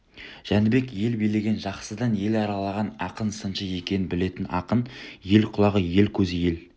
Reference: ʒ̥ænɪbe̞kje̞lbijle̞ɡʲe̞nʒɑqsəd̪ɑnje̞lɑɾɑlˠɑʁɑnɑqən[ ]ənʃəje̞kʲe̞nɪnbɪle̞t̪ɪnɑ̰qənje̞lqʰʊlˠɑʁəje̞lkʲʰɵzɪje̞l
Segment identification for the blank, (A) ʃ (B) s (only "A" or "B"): B